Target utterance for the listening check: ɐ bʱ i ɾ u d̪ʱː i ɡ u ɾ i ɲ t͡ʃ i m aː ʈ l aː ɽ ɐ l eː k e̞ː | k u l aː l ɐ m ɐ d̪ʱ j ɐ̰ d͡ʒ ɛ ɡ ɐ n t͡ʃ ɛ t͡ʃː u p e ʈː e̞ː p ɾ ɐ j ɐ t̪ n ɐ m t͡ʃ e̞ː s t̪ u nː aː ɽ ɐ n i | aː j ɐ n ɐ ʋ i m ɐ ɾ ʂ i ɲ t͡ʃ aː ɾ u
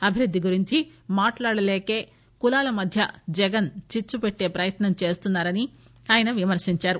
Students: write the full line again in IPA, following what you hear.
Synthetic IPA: ɐ bʱ i ɾ u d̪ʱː i ɡ u ɾ i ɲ t͡ʃ i m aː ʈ l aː ɽ ɐ l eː k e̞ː | k u l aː l ɐ m ɐ d̪ʱ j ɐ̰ d͡ʒ ɛ ɡ ɐ n t͡ʃ i t͡ʃː u p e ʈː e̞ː p ɾ ɐ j ɐ t̪ n ɐ m t͡ʃ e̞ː s t̪ u nː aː ɾ ɐ n i | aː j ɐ n ɐ ʋ i m ɐ ɾ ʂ i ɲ t͡ʃ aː ɾ u